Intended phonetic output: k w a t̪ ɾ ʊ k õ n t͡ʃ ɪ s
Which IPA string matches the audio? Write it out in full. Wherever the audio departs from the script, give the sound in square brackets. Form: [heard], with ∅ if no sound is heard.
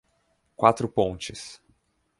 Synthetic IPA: k w a t̪ ɾ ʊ [p] õ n t͡ʃ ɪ s